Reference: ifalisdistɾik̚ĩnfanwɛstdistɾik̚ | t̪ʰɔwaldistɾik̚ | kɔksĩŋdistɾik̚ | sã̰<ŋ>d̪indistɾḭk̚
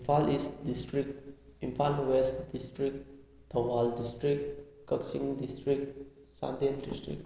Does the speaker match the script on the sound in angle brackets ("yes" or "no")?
no